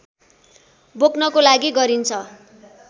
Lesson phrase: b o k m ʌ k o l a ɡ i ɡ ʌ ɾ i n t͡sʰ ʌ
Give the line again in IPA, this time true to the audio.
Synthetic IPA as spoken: b o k n ʌ k o l a ɡ i ɡ ʌ ɾ i n t͡sʰ ʌ